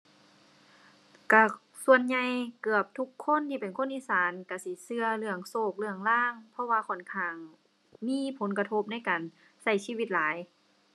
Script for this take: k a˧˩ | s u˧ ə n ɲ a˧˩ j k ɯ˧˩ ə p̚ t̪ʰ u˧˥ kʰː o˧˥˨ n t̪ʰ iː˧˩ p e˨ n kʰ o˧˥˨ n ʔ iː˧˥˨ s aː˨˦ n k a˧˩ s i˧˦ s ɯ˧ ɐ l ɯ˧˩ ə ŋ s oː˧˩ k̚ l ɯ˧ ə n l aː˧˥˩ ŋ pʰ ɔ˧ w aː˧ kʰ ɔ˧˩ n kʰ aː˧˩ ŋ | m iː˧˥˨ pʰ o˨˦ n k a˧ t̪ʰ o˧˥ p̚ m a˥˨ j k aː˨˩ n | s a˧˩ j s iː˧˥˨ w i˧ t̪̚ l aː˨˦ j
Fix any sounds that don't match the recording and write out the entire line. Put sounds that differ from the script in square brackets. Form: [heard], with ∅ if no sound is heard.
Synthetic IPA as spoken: k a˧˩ | s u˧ ə n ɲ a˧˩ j k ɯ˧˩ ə p̚ t̪ʰ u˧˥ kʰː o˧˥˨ n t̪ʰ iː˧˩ p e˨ n kʰ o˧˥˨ n ʔ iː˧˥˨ s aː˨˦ n k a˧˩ s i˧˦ s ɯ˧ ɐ l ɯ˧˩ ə ŋ s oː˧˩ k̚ l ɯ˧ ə [ŋ] l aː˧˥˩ ŋ pʰ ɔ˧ w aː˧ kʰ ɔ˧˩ n kʰ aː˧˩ ŋ | m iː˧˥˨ pʰ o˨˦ n k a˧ t̪ʰ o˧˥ p̚ [n] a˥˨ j k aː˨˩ n | s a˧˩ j s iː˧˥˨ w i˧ t̪̚ l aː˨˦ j